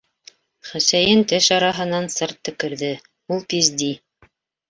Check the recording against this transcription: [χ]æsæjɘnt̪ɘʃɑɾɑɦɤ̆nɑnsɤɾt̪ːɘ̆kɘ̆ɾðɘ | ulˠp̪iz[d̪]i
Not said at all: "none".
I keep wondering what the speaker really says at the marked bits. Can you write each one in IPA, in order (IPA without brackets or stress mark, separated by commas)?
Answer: χ, d̪